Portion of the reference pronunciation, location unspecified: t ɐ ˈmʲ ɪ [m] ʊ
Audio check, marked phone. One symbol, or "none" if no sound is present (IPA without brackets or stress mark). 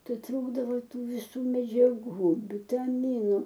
n